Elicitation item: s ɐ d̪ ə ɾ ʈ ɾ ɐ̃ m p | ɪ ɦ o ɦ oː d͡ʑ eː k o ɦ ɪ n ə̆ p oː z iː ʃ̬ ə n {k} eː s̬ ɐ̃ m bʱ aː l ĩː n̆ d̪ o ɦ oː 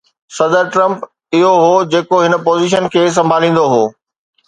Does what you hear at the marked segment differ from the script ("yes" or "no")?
yes